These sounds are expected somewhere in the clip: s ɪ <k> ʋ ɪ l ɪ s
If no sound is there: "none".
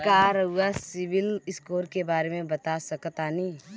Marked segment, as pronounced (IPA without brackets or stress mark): none